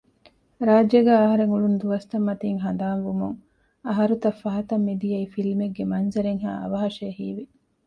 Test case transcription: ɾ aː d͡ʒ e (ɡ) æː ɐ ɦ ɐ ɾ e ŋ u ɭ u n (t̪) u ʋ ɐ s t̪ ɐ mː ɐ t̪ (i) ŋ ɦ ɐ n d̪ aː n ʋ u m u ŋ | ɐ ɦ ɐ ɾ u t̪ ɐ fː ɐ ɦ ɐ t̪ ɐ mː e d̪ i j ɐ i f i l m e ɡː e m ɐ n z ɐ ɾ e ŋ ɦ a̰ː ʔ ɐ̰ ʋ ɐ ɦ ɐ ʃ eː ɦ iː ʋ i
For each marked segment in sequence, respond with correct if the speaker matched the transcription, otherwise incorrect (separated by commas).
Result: correct, incorrect, incorrect